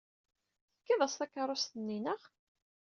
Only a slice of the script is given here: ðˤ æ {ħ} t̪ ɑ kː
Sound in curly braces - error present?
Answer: yes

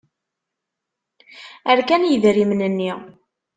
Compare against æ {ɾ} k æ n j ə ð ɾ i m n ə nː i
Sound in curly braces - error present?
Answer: no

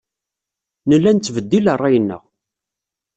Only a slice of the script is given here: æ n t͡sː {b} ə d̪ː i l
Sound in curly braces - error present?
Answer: yes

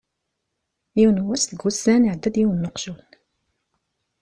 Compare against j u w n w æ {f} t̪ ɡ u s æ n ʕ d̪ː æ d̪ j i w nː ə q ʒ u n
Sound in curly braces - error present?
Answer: yes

